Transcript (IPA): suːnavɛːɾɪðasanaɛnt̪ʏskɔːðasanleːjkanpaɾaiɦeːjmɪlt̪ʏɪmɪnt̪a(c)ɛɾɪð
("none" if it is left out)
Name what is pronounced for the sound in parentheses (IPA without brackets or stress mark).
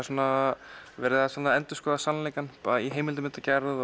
c